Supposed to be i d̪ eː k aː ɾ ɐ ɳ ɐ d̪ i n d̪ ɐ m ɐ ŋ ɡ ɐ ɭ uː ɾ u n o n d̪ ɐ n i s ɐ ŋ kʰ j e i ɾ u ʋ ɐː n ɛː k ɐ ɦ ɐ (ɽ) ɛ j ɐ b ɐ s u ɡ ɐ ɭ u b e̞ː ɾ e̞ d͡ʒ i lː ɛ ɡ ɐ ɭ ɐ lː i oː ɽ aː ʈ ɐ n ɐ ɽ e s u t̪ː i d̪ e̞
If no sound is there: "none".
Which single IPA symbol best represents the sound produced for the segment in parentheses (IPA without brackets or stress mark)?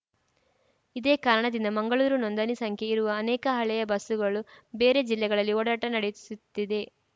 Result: ɭ